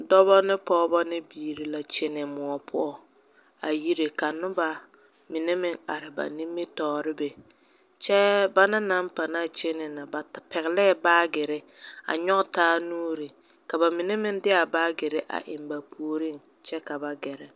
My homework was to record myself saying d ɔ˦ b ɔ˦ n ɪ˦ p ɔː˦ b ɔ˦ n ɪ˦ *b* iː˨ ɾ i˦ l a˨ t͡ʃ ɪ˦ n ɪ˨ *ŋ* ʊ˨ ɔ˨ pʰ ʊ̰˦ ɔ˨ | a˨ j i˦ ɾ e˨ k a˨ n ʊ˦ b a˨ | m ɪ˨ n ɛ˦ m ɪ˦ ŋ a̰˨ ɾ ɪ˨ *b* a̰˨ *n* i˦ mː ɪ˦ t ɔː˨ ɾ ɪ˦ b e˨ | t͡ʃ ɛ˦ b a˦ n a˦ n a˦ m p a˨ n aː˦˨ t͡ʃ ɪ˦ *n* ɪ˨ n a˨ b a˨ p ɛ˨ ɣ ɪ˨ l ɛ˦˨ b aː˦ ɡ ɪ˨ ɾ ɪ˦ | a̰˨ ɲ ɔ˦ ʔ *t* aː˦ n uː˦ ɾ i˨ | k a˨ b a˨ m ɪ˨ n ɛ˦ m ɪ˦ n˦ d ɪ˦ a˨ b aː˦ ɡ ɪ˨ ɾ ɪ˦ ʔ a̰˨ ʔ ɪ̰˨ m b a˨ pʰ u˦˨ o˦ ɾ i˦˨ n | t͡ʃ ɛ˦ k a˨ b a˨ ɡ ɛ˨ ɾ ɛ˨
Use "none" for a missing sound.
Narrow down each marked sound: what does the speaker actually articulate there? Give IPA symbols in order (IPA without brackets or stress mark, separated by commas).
b, m, b, n, n, t